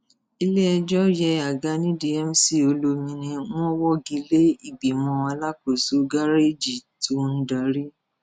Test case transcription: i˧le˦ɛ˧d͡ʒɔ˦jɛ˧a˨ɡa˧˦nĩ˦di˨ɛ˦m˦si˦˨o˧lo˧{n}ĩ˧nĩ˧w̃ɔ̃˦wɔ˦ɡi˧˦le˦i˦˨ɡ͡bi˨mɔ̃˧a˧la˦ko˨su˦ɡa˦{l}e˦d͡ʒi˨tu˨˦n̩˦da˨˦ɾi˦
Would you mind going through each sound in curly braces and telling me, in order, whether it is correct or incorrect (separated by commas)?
incorrect, incorrect